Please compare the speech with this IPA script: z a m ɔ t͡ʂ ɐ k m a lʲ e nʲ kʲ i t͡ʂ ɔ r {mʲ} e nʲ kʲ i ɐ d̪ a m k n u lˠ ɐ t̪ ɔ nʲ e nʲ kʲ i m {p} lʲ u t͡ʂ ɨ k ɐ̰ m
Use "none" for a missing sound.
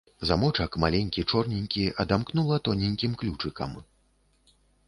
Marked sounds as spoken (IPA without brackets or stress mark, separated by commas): nʲ, k